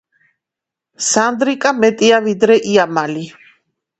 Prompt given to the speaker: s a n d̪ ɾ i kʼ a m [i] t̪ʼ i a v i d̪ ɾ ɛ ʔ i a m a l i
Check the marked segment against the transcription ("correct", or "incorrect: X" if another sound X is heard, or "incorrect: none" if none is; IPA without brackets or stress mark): incorrect: ɛ